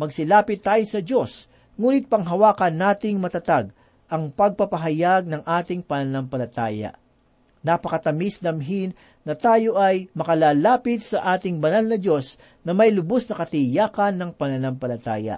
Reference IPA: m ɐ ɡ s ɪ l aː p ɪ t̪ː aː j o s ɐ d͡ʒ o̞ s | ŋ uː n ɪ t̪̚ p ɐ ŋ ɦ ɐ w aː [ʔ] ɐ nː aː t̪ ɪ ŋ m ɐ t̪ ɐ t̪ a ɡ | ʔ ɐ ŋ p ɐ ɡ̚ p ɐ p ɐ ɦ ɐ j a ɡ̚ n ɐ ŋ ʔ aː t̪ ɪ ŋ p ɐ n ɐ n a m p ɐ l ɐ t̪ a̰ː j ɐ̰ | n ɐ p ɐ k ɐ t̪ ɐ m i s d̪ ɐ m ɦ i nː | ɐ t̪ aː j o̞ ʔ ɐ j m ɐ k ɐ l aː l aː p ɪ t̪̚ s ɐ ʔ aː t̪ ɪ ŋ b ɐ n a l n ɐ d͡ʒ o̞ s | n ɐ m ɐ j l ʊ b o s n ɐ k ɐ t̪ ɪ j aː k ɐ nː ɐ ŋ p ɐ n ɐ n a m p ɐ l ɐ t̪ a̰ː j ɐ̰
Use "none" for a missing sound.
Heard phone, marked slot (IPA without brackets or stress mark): k